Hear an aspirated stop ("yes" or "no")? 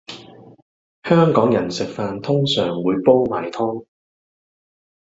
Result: yes